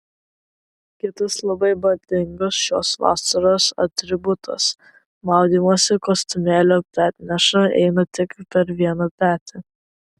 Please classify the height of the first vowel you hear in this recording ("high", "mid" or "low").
high